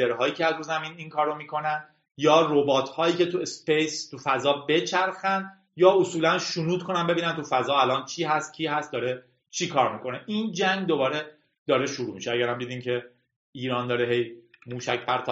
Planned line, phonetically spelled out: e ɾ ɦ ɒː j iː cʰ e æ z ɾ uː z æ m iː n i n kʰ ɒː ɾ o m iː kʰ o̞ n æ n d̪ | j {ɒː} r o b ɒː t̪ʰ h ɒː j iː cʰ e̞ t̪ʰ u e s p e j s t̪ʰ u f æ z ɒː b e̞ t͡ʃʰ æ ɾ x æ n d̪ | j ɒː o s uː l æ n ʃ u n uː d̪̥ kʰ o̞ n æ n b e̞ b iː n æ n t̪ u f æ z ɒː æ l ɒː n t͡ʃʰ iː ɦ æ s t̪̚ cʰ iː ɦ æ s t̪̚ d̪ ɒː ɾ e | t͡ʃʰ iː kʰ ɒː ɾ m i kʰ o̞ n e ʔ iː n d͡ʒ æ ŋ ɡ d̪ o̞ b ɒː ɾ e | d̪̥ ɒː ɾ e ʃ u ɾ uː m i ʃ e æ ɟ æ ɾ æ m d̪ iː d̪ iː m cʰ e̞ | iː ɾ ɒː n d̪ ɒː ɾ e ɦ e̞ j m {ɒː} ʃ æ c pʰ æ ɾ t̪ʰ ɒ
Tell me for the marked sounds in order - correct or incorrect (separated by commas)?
correct, incorrect